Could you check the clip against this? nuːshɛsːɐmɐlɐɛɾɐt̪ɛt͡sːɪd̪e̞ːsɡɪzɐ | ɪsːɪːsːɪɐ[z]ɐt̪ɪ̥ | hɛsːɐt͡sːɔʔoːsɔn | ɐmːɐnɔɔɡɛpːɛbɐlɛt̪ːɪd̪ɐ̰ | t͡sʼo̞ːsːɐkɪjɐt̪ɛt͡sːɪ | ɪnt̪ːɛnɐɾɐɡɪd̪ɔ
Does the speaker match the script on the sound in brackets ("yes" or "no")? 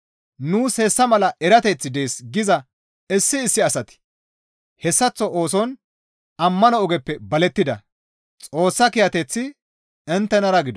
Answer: no